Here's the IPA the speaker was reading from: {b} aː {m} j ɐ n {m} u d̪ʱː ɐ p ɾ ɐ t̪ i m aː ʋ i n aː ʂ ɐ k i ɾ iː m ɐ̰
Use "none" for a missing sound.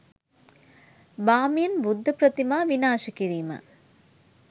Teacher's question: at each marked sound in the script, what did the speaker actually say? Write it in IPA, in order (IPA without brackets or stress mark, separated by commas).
b, m, b